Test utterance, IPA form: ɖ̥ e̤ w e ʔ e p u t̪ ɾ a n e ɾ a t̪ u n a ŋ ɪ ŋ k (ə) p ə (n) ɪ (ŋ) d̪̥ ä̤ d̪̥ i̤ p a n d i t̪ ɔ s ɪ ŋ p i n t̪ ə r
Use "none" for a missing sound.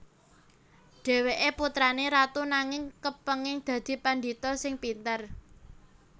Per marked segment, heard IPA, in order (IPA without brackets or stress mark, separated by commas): ə, ŋ, ŋ